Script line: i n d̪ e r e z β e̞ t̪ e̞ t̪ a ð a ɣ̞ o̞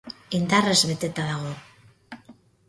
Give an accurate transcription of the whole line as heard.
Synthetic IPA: i n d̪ a r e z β e̞ t̪ e̞ t̪ a ð a ɣ̞ o̞